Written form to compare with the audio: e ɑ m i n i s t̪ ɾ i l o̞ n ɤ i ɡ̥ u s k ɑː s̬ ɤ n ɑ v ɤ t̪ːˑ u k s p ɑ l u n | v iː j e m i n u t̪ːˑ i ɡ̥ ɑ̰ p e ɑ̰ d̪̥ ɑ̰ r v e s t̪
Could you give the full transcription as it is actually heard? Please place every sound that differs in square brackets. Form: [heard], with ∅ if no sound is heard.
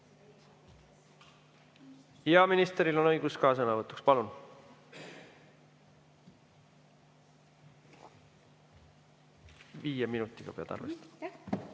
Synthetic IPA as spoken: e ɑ m i n i s t̪ ɾ i l o̞ n ɤ [j] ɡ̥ u s k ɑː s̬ ɤ n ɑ v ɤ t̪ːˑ u k s p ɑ l u n | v iː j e m i n u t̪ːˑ i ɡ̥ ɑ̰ p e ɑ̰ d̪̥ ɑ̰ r v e s t̪